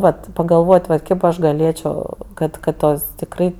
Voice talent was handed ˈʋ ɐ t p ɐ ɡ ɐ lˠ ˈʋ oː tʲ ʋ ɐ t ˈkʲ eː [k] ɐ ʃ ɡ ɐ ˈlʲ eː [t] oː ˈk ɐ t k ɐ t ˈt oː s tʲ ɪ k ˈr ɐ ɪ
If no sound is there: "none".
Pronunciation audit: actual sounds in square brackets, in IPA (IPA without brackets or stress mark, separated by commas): p, t͡ʃʲ